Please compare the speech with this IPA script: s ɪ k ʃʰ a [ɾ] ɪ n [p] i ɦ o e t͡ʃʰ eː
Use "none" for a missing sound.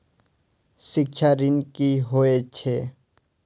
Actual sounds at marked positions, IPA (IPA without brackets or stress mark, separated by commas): ɾ, k